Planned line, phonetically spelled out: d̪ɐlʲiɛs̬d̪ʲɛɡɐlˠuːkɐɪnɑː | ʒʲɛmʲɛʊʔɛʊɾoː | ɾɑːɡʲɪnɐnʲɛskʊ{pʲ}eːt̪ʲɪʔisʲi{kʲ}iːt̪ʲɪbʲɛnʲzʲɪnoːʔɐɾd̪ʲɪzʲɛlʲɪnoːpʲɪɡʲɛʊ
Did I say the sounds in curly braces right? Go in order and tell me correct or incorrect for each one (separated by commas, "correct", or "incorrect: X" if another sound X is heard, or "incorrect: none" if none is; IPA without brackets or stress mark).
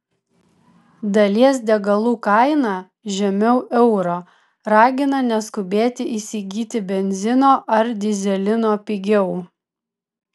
incorrect: bʲ, incorrect: ɡʲ